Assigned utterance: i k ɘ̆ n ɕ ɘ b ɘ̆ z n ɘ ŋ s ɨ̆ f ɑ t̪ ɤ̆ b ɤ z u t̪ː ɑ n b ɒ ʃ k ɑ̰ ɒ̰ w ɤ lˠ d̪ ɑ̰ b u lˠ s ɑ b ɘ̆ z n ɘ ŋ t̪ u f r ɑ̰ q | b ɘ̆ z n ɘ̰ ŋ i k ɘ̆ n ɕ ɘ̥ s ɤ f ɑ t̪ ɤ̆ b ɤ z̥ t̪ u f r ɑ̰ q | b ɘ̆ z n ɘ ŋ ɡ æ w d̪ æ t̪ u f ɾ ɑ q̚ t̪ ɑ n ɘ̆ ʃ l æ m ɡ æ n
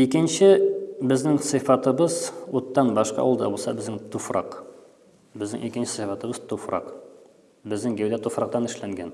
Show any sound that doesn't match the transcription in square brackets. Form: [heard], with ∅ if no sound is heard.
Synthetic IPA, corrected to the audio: i k ɘ̆ n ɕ ɘ b ɘ̆ z n ɘ ŋ s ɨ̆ f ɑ t̪ ɤ̆ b ɤ z u t̪ː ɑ n b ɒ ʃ [q] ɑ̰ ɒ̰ w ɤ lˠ d̪ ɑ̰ b u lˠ s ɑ b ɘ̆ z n ɘ ŋ t̪ u f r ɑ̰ q | b ɘ̆ z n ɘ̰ ŋ i k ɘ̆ n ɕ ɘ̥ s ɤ f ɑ t̪ ɤ̆ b ɤ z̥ t̪ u f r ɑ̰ q | b ɘ̆ z n ɘ ŋ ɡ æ w d̪ æ t̪ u f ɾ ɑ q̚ t̪ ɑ n ɘ̆ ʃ l æ [ŋ] ɡ æ n